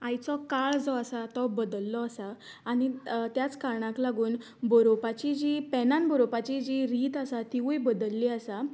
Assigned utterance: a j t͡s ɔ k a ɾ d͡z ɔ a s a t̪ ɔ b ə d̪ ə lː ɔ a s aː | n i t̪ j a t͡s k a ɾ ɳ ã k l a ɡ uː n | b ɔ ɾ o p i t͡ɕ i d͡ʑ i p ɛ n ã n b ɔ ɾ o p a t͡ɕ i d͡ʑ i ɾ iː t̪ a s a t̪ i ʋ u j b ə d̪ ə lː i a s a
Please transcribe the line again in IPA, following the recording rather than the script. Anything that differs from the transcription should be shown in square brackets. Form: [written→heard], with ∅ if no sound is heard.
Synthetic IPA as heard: a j t͡s ɔ k a [ɾ→ɭ] d͡z ɔ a s a t̪ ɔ b ə d̪ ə lː ɔ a s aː | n i t̪ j a t͡s k a ɾ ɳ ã k l a ɡ uː n | b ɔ ɾ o p [i→a] t͡ɕ i d͡ʑ i p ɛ n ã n b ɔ ɾ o p a t͡ɕ i d͡ʑ i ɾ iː t̪ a s a t̪ i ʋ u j b ə d̪ ə lː i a s a